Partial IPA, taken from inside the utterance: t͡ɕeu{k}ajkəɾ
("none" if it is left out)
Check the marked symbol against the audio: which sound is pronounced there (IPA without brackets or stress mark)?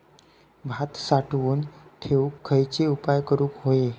p